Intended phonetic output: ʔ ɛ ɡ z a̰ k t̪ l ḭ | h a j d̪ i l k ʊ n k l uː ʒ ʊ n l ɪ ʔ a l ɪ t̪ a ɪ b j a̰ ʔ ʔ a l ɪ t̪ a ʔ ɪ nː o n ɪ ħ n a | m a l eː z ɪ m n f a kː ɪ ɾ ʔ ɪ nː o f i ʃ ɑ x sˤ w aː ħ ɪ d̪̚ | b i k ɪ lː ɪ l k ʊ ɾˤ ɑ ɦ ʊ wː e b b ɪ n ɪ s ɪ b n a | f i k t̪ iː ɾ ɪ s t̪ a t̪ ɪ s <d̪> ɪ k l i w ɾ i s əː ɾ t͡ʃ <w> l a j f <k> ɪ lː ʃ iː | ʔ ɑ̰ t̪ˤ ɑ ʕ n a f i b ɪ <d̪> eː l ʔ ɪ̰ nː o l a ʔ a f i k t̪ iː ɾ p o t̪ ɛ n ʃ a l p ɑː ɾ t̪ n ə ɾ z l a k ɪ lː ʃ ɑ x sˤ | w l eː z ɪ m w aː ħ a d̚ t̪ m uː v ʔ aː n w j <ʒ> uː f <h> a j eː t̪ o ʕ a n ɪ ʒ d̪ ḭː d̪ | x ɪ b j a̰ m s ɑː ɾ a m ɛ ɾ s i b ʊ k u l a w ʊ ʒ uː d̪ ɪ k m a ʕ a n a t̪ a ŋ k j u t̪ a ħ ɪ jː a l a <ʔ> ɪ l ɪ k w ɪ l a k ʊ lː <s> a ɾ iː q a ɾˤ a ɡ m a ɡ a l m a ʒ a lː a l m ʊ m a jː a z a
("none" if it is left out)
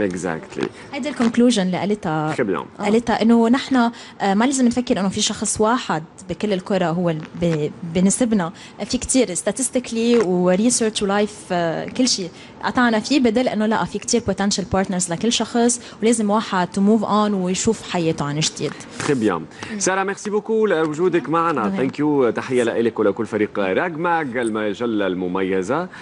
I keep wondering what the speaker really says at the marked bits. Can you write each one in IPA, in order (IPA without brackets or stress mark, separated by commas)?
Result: t̪, w, k, d̪, ʃ, ħ, ʔ, f